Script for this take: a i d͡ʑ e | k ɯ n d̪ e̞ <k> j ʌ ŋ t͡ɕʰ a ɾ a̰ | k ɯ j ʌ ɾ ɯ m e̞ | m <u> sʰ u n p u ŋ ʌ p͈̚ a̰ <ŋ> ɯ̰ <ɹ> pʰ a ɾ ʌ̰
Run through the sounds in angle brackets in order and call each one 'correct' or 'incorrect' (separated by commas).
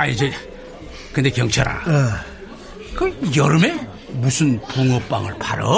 correct, correct, correct, incorrect